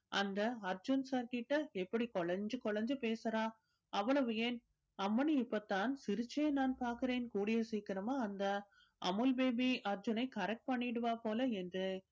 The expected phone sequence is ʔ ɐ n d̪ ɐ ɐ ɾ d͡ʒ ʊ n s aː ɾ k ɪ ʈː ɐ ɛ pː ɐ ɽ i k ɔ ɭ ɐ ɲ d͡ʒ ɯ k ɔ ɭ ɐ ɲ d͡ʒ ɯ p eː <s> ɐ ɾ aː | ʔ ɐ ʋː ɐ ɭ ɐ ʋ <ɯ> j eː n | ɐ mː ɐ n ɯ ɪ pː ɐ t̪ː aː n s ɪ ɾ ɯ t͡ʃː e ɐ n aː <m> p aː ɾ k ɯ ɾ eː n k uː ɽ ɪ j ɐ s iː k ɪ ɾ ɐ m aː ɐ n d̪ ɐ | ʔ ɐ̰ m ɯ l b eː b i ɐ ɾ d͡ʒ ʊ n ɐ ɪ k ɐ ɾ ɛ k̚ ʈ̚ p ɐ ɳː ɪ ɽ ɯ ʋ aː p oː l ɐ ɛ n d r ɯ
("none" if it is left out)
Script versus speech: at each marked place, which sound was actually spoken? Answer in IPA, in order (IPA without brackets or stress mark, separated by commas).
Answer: s, ɯ, n